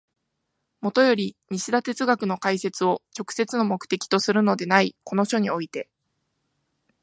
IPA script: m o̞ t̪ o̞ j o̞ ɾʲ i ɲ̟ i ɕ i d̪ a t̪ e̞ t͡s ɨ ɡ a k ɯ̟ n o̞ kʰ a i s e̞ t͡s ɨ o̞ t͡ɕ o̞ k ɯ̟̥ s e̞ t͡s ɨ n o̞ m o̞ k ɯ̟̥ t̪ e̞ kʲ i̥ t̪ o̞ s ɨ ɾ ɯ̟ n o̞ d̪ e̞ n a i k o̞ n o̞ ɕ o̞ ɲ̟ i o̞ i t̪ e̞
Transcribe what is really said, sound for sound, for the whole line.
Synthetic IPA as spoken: m o̞ t̪ o̞ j o̞ ɾʲ i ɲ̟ i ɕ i d̪ a t̪ e̞ t͡s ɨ ɡ a k ɯ̟ n o̞ k a i s e̞ t͡s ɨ o̞ t͡ɕ o̞ k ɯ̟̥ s e̞ t͡s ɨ n o̞ m o̞ k ɯ̟̥ t̪ e̞ kʲ i̥ t̪ o̞ s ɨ ɾ ɯ̟ n o̞ d̪ e̞ n a i k o̞ n o̞ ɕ o̞ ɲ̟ i o̞ i t̪ e̞